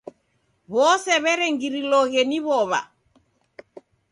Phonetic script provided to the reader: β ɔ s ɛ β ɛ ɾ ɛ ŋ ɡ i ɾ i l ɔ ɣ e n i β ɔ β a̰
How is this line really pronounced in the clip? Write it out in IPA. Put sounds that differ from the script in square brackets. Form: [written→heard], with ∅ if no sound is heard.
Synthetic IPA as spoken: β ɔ s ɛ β ɛ ɾ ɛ ŋ ɡ i ɾ i l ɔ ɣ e n i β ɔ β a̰